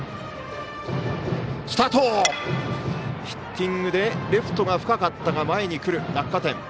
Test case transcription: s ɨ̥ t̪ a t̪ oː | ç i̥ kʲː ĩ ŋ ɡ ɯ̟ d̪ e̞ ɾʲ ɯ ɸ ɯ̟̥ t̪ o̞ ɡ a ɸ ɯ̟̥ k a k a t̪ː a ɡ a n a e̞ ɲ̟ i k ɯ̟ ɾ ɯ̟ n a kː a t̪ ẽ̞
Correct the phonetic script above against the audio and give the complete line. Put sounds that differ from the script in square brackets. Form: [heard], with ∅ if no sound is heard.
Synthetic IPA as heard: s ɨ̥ t̪ a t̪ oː | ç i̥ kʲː ĩ ŋ ɡ ɯ̟ d̪ e̞ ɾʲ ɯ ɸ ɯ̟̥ t̪ o̞ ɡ a ɸ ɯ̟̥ k a k a t̪ː a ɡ a [m] a e̞ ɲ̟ i k ɯ̟ ɾ ɯ̟ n a kː a t̪ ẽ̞